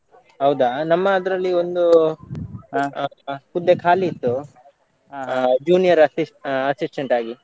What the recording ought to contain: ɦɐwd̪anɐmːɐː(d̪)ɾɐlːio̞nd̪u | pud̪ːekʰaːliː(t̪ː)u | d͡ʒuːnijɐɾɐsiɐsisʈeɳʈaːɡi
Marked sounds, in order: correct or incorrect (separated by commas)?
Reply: correct, correct